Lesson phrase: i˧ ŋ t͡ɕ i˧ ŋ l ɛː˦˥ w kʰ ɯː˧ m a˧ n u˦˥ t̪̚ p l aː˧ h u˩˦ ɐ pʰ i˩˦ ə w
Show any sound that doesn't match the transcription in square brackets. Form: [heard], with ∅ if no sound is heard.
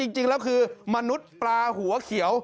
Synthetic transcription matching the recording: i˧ ŋ t͡ɕ i˧ ŋ l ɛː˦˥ w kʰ ɯː˧ m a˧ n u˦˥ t̪̚ p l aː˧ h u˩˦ ɐ [kʰ] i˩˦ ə w

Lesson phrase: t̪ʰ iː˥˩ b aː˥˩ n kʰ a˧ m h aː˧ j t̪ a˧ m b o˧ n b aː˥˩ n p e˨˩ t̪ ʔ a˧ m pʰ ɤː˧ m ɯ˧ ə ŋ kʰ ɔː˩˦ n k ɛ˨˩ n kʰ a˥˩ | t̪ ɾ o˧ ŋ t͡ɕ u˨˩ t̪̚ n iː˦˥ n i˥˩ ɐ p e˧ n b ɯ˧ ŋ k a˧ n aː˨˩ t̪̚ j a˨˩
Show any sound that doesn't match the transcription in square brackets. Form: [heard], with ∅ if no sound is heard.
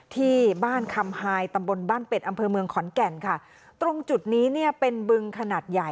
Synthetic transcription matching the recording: t̪ʰ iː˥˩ b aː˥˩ n kʰ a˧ m h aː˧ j t̪ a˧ m b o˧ n b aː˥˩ n p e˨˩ t̪ ʔ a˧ m pʰ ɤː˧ m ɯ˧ ə ŋ kʰ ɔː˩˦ n k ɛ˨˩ n kʰ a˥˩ | t̪ ɾ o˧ ŋ t͡ɕ u˨˩ t̪̚ n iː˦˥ n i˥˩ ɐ p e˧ n b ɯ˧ ŋ [kʰ] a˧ n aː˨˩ t̪̚ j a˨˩

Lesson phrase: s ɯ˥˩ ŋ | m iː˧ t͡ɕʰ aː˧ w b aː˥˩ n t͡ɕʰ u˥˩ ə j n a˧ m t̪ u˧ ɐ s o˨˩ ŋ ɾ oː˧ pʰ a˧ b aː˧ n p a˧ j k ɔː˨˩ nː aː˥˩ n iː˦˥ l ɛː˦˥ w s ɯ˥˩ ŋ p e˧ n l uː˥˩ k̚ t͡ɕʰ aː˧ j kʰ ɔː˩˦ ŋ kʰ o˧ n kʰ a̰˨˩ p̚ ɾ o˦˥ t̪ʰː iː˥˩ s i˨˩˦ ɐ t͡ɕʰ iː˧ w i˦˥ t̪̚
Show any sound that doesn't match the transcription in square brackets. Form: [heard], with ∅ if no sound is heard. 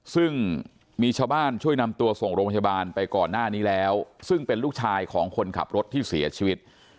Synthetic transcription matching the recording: s ɯ˥˩ ŋ | m iː˧ t͡ɕʰ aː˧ w b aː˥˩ n t͡ɕʰ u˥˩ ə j n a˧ m t̪ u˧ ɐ s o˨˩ ŋ ɾ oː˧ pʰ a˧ b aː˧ n p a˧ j k ɔː˨˩ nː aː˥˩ n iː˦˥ l ɛː˦˥ w s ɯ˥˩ ŋ p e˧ n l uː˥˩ k̚ t͡ɕʰ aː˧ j kʰ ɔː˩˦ ŋ kʰ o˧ n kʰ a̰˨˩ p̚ ɾ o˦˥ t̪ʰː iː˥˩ s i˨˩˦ ɐ t͡ɕʰ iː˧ w i˦˥ t̪̚

